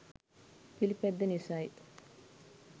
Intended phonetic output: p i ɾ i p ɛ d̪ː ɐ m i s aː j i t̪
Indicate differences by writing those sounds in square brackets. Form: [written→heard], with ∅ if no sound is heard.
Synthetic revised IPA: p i [ɾ→l] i p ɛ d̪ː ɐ [m→n] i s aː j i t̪